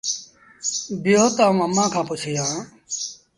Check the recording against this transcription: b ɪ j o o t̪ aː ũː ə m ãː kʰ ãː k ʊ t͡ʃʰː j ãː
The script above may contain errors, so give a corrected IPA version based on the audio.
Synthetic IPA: b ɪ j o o t̪ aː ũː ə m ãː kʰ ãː p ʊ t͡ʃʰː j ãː